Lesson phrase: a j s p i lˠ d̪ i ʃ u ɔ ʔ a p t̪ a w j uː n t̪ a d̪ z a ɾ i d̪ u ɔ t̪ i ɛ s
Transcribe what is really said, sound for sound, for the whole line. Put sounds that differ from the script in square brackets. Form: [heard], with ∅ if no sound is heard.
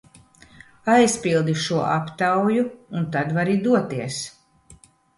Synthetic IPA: a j s p i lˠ d̪ i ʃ u ɔ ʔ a p t̪ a w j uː n t̪ a d̪ [v] a ɾ i d̪ u ɔ t̪ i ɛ s